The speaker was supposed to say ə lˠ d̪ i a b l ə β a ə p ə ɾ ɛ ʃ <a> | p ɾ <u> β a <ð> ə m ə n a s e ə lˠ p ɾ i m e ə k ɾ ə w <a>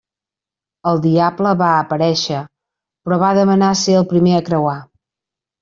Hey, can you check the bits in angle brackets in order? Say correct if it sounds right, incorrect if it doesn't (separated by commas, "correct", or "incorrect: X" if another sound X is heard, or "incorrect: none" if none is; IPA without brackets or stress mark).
incorrect: ə, incorrect: ɔ, correct, correct